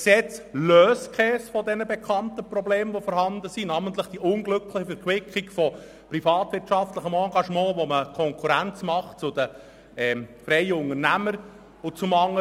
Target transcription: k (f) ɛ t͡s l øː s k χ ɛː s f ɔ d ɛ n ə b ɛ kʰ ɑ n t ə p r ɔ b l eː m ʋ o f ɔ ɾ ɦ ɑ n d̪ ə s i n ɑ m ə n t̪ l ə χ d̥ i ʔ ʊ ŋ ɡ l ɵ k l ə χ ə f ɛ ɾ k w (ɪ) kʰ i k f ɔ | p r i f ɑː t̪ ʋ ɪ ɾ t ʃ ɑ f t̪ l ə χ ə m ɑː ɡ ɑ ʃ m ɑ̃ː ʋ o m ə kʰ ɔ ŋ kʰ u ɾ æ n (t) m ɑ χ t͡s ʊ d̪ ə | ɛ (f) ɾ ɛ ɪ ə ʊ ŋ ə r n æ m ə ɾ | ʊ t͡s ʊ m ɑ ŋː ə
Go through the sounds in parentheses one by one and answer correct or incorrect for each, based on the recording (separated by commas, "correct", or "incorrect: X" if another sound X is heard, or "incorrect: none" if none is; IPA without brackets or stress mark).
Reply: incorrect: s, correct, incorrect: t͡s, correct